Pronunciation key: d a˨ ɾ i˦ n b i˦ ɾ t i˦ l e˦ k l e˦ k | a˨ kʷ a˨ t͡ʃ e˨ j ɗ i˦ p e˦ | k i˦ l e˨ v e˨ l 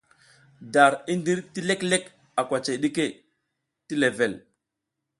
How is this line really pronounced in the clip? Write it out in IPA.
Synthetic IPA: d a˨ ɾ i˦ n d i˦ ɾ t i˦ l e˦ k l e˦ k | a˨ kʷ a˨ t͡ʃ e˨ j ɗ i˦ k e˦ | t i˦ l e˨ v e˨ l